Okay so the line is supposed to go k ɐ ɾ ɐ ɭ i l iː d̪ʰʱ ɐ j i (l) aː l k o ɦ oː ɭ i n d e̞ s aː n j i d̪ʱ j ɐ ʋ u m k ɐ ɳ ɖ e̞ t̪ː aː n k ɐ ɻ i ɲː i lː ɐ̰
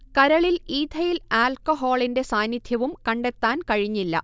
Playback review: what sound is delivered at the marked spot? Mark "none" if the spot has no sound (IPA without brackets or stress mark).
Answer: l